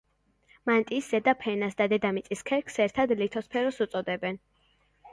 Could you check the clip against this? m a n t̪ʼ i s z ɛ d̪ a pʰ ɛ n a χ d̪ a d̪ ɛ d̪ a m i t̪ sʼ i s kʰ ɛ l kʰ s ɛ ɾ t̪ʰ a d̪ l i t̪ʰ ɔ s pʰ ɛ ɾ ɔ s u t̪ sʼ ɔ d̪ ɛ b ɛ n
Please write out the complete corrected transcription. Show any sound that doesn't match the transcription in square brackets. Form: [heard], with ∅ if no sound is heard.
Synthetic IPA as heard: m a n t̪ʼ i s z ɛ d̪ a pʰ ɛ n a [s] d̪ a d̪ ɛ d̪ a m i t̪ sʼ i s kʰ ɛ [ɾ] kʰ s ɛ ɾ t̪ʰ a d̪ l i t̪ʰ ɔ s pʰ ɛ ɾ ɔ s u t̪ sʼ ɔ d̪ ɛ b ɛ n

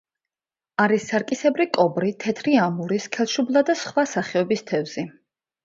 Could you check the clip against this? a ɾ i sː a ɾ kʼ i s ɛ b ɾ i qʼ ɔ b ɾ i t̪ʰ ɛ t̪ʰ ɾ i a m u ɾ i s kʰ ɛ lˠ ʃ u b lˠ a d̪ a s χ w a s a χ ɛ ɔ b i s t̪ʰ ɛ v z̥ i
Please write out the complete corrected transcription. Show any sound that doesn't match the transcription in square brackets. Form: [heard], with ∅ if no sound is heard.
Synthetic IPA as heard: a ɾ i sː a ɾ kʼ i s ɛ b ɾ i [kʼ] ɔ b ɾ i t̪ʰ ɛ t̪ʰ ɾ i a m u ɾ i s kʰ ɛ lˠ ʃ u b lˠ a d̪ a s χ w a s a χ ɛ ɔ b i s t̪ʰ ɛ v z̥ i

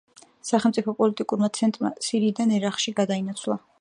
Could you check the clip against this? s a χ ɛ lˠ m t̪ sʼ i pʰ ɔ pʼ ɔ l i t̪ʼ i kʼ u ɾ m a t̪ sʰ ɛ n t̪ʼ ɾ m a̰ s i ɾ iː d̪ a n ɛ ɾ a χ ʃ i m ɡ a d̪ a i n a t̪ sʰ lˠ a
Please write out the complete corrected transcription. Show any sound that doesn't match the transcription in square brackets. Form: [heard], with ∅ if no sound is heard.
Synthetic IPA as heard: s a χ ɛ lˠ m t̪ sʼ i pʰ ɔ pʼ ɔ l i t̪ʼ i kʼ u ɾ m a t̪ sʰ ɛ n t̪ʼ ɾ m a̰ s i ɾ iː d̪ a n ɛ ɾ a χ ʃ i [∅] ɡ a d̪ a i n a t̪ sʰ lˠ a

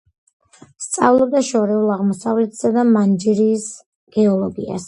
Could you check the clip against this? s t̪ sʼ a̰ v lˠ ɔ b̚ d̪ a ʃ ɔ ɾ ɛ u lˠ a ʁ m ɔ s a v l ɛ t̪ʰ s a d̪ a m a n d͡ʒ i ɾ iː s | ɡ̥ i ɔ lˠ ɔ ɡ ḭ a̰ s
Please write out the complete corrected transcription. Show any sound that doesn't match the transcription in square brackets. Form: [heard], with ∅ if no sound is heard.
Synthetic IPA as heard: s t̪ sʼ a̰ v lˠ ɔ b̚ d̪ a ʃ ɔ ɾ ɛ u lˠ a ʁ m ɔ s a v l ɛ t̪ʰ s a d̪ a m a n d͡ʒ i ɾ iː s | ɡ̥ [ɛ] ɔ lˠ ɔ ɡ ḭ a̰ s

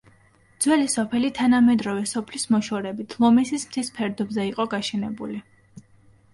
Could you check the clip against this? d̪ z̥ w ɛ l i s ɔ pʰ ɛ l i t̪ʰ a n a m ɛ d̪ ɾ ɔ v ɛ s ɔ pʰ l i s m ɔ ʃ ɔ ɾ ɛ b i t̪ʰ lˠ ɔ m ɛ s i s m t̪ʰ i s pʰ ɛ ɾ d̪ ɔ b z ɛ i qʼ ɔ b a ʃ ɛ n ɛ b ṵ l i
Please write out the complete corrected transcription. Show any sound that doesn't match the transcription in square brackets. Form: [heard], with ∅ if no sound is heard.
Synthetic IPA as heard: d̪ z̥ w ɛ l i s ɔ pʰ ɛ l i t̪ʰ a n a m ɛ d̪ ɾ ɔ v ɛ s ɔ pʰ l i s m ɔ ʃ ɔ ɾ ɛ b i t̪ʰ lˠ ɔ m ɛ s i s m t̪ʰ i s pʰ ɛ ɾ d̪ ɔ b z ɛ i qʼ ɔ [ɡ] a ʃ ɛ n ɛ b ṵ l i

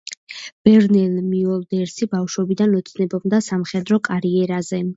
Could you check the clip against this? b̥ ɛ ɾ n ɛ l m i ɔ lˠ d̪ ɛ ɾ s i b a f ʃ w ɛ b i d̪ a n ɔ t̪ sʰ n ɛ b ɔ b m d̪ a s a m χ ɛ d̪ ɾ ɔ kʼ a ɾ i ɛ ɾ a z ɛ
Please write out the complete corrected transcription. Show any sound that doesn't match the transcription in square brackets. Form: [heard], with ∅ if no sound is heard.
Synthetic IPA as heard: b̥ ɛ ɾ n ɛ l m i ɔ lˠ d̪ ɛ ɾ s i b a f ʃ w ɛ b i d̪ a n ɔ t̪ sʰ n ɛ b ɔ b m d̪ a s a m χ ɛ d̪ ɾ ɔ kʼ a ɾ i ɛ ɾ a z ɛ

